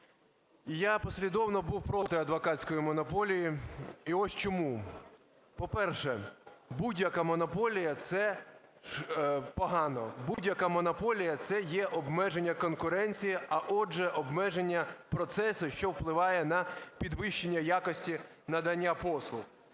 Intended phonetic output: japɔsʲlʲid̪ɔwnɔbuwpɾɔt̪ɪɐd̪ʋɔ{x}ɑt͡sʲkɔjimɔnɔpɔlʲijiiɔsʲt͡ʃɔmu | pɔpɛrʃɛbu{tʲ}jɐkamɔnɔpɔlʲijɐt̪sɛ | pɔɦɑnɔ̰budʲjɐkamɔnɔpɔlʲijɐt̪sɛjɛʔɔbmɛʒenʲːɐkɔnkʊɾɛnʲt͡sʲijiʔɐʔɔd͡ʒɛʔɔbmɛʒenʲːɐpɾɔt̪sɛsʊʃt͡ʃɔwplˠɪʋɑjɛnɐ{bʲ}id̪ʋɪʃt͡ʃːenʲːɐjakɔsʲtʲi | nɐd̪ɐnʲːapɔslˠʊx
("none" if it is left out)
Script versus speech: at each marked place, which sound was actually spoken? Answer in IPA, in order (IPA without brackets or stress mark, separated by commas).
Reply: k, dʲ, pʲ